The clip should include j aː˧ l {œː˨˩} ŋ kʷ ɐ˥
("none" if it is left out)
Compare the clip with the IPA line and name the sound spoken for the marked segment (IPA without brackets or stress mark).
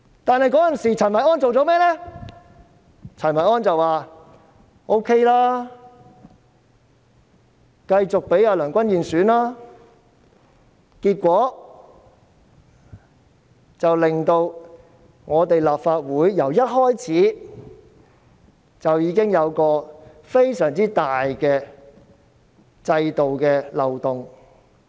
œː˨˩